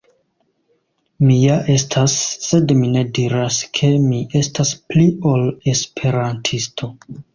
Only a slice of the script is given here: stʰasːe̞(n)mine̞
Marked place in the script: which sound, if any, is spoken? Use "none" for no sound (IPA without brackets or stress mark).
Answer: d